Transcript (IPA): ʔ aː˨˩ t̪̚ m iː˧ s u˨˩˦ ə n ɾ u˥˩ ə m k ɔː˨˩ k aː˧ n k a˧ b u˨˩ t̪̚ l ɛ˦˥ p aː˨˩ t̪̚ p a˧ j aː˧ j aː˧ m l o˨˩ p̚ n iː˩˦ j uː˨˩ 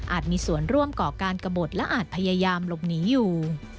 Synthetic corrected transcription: ʔ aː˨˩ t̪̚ m iː˧ s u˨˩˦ ə n ɾ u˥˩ ə m k ɔː˨˩ k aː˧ n k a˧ b o˨˩ t̪̚ l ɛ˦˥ ʔ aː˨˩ t̪̚ pʰ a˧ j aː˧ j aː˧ m l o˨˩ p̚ n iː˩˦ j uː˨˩